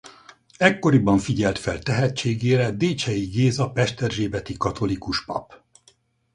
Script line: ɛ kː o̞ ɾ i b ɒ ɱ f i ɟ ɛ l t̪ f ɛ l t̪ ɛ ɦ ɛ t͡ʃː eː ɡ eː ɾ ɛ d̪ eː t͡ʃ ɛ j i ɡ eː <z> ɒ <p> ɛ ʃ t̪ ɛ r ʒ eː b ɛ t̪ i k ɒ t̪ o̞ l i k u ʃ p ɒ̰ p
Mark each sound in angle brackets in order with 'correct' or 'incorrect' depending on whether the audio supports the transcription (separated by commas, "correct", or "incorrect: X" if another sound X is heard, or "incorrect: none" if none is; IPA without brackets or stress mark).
correct, correct